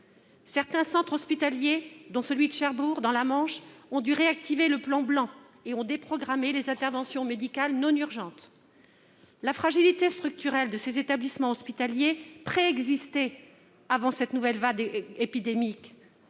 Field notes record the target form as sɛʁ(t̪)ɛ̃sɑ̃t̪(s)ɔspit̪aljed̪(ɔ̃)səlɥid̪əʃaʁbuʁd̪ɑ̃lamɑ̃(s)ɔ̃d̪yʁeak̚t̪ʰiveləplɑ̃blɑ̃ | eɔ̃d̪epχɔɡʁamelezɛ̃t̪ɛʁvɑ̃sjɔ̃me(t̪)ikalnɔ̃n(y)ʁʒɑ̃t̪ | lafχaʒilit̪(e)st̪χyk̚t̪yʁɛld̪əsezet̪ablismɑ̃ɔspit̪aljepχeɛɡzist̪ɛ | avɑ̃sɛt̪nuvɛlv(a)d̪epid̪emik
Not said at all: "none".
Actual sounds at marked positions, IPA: t̪, χ, ɔ̃, ʃ, d̪, y, e, a

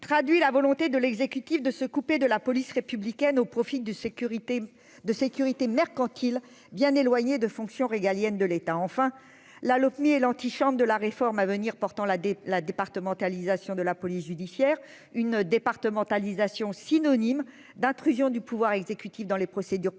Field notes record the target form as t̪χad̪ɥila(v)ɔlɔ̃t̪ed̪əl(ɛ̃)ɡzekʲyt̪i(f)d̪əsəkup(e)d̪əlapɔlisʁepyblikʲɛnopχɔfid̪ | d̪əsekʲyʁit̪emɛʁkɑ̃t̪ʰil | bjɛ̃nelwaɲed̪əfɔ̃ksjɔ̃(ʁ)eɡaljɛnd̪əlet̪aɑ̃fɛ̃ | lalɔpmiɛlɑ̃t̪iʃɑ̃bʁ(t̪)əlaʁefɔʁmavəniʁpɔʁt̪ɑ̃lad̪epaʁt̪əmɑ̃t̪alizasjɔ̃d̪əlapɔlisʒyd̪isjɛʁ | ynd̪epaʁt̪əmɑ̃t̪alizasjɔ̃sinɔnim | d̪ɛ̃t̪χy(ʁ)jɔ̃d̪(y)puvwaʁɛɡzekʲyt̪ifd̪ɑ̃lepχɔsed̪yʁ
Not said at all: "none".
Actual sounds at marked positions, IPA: v, ɛ, f, e, ʁ, d̪, z, y

